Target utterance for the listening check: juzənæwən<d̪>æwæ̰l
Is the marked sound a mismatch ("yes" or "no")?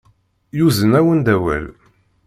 no